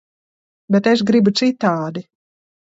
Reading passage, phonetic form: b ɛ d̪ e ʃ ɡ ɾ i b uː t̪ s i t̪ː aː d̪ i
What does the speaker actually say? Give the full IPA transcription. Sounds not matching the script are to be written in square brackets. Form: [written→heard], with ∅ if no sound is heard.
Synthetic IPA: b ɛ [d̪→t̪] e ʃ ɡ ɾ i b [uː→u] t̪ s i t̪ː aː d̪ i